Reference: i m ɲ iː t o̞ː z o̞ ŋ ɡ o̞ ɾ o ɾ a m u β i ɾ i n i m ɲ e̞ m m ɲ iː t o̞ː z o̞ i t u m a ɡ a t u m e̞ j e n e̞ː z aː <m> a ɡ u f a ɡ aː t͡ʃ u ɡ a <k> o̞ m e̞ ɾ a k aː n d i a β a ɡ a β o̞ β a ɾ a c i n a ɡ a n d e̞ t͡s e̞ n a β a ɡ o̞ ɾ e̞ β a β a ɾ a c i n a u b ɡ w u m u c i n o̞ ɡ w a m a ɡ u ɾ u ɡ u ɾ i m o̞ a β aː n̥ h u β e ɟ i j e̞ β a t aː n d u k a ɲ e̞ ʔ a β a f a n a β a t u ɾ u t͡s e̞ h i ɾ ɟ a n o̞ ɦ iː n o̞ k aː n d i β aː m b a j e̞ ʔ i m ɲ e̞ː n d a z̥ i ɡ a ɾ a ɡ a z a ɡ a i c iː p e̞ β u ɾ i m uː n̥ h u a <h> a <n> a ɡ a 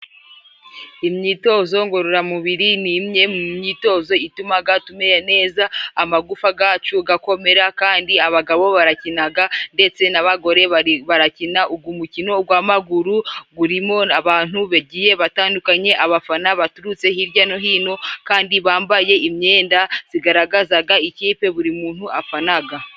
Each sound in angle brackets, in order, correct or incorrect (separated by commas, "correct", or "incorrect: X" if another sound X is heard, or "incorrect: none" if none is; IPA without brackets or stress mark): correct, correct, incorrect: f, correct